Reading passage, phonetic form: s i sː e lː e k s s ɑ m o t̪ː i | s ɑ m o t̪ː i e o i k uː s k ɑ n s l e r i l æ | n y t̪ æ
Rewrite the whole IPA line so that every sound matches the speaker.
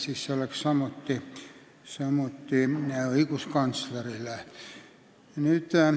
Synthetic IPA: s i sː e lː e k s s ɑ m o t̪ː i | s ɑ m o t̪ː i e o i k u s k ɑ n s l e r i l æ | n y t̪ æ